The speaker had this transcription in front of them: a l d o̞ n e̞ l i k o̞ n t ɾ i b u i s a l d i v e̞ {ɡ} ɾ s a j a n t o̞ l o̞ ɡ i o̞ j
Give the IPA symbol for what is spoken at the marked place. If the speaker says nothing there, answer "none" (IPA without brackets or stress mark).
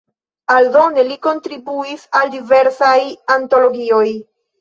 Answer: none